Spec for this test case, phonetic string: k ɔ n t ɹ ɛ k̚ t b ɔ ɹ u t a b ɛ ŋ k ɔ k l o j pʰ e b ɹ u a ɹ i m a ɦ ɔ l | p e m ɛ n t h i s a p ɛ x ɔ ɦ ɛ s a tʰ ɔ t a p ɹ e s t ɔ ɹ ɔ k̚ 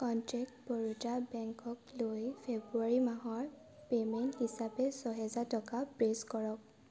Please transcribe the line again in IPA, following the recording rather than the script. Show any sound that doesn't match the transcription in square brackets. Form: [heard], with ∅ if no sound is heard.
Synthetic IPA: k ɔ n t ɹ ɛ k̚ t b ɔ ɹ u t a b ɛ ŋ k ɔ k l o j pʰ e b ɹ u a ɹ i m a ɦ ɔ [ɹ] | p e m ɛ n t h i s a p ɛ [s] ɔ ɦ ɛ [z] a [t] ɔ [k] a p ɹ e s [k] ɔ ɹ ɔ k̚